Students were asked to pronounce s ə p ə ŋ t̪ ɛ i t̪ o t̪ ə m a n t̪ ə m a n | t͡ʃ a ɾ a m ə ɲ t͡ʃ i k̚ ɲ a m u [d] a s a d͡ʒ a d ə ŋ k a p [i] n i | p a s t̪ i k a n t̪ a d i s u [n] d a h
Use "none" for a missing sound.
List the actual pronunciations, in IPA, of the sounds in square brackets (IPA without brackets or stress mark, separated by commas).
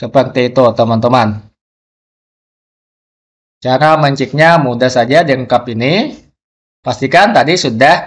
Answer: d, i, none